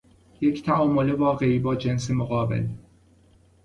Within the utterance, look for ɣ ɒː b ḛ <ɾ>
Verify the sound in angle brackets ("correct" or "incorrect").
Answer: incorrect